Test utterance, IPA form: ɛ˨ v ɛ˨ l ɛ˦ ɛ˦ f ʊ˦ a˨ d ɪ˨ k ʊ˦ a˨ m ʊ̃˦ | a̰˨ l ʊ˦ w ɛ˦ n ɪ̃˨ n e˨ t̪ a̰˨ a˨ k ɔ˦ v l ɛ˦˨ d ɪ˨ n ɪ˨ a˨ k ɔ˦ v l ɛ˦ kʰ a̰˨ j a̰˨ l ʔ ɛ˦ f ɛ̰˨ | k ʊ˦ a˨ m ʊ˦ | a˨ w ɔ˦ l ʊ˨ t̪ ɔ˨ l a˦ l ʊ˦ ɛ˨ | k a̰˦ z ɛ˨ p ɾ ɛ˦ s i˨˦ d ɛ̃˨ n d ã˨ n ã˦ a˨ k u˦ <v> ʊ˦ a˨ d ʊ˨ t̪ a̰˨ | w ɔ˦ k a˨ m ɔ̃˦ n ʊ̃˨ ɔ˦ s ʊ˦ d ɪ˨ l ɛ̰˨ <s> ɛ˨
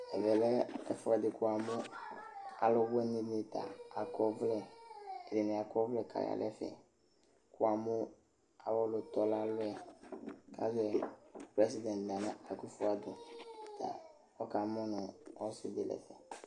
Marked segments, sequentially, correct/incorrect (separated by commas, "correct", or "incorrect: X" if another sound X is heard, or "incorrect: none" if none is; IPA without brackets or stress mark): incorrect: f, incorrect: f